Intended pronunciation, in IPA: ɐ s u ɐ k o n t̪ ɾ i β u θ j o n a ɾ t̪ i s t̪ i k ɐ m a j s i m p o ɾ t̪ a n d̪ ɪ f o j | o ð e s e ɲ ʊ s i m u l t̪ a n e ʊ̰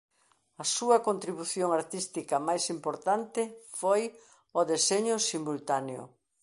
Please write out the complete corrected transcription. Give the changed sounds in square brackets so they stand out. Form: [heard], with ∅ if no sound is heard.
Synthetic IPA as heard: ɐ s u ɐ k o n t̪ ɾ i β u θ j o [ŋ] a ɾ t̪ i s t̪ i k ɐ m a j s i m p o ɾ t̪ a n [t̪] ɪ f o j | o ð e s e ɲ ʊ s i m u l t̪ a n e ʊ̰